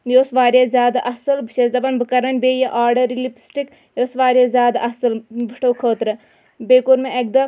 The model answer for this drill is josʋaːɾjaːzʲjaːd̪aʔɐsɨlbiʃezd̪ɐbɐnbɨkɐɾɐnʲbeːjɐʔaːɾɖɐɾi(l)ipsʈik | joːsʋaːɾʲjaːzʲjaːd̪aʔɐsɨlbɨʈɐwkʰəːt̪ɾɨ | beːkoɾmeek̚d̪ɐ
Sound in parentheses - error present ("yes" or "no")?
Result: no